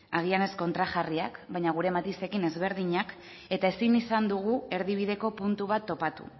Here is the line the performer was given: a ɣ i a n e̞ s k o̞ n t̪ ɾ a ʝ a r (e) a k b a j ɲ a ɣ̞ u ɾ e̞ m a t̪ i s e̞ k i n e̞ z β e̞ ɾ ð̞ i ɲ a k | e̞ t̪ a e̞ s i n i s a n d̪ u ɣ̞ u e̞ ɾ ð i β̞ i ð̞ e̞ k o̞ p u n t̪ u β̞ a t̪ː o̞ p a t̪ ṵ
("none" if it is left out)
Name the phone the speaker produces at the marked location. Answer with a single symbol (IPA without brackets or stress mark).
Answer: i